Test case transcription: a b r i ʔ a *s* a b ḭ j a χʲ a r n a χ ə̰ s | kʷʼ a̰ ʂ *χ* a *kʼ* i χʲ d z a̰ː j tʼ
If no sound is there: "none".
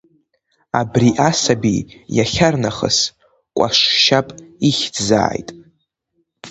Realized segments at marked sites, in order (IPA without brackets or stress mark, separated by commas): s, ʃ, pʼ